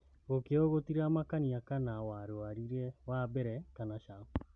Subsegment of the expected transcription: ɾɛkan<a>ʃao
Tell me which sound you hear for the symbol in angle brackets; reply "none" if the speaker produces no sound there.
a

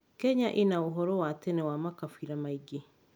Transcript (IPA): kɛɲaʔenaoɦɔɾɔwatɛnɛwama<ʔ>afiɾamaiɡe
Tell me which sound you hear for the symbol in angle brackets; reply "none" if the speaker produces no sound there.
k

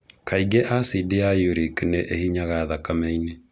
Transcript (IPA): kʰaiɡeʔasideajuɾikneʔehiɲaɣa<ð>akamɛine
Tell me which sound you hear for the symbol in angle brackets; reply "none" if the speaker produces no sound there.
ð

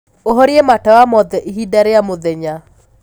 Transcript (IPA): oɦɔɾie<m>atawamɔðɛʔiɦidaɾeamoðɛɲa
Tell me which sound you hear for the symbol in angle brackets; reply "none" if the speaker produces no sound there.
m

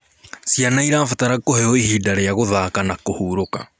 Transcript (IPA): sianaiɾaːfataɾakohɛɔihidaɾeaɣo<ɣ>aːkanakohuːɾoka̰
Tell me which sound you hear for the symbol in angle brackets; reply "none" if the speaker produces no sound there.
ð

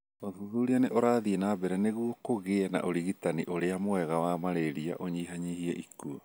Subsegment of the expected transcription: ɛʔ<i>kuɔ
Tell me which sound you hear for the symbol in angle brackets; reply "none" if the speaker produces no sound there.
i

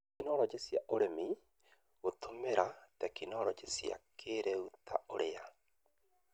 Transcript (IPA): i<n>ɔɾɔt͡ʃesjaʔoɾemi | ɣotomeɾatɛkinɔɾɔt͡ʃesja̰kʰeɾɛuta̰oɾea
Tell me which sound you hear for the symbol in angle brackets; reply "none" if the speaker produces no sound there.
n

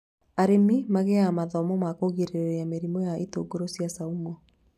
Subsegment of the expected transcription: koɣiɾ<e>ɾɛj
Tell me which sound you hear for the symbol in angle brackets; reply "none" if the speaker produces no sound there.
e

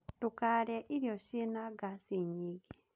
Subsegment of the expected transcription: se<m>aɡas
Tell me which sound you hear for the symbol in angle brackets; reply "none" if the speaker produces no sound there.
n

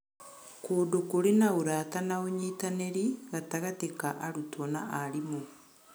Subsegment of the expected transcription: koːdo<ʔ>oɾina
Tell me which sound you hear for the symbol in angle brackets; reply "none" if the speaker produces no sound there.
k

